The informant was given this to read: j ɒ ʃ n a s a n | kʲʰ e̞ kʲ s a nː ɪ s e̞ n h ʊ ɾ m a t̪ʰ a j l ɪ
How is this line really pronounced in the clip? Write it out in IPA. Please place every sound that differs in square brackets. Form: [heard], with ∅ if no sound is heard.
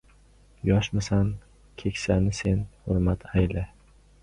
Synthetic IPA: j ɒ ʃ [m] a s a n | kʲʰ e̞ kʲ s a [n] ɪ s e̞ n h ʊ ɾ m a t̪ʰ a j l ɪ